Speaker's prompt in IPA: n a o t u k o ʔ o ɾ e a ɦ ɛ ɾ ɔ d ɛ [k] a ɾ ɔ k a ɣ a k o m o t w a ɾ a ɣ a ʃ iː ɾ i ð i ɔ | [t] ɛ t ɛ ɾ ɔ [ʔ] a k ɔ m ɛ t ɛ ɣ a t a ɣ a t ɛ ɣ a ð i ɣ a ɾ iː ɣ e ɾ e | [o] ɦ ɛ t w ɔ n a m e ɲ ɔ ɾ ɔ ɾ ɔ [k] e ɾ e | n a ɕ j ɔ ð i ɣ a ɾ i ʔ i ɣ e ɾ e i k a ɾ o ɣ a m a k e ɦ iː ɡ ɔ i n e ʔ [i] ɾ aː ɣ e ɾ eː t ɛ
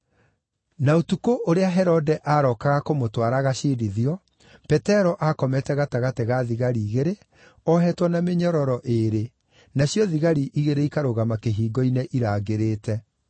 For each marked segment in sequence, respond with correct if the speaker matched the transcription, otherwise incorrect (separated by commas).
incorrect, incorrect, correct, incorrect, incorrect, correct